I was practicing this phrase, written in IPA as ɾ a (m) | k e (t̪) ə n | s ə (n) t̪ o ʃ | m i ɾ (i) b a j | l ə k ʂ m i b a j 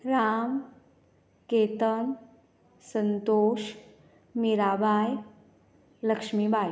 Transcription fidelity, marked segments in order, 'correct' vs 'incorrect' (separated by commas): correct, correct, correct, incorrect